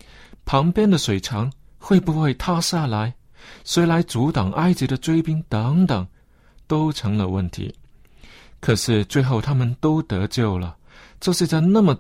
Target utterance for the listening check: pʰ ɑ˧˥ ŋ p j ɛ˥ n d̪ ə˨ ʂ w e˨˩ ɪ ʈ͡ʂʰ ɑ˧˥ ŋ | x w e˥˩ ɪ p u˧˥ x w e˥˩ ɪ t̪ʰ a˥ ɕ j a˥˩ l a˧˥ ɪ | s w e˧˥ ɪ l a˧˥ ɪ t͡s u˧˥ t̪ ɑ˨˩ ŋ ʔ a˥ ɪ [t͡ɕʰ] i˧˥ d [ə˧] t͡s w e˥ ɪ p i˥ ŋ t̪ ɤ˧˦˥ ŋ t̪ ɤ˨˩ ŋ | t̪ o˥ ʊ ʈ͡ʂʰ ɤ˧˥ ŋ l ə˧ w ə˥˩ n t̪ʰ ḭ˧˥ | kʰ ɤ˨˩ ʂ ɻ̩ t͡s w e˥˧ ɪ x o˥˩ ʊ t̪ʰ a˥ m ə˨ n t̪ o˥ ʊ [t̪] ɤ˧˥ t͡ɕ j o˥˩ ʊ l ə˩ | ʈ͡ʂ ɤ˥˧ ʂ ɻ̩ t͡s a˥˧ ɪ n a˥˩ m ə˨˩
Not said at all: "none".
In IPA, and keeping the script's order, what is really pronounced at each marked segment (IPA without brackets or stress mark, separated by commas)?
t͡ɕ, ə˧, t̪